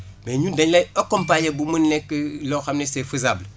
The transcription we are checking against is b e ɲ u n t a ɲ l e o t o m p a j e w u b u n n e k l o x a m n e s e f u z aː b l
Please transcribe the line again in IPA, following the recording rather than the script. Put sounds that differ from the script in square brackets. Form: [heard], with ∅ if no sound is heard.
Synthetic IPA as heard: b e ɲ u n [d] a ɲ l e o [k] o m p a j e [b] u [m] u n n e k l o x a m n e s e f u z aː b l